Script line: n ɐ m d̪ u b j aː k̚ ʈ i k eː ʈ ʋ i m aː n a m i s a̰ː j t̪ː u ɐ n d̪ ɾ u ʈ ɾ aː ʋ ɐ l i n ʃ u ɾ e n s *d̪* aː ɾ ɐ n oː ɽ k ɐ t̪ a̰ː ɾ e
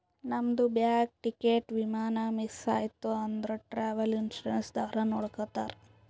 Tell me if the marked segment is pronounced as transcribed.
yes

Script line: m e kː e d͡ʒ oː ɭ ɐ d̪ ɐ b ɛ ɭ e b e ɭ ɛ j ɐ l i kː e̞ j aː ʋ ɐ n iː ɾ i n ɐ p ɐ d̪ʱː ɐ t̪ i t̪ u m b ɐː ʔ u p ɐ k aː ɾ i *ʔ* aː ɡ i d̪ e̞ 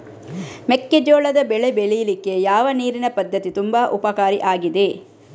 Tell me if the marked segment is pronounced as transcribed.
yes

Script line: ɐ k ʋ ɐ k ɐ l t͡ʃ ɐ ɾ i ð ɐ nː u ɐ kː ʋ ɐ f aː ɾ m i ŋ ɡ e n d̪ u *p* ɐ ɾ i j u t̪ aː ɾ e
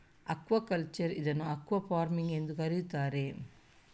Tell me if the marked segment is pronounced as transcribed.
no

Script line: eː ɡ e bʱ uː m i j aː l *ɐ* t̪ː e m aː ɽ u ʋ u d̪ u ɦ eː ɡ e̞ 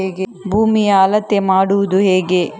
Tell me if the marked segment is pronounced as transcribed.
yes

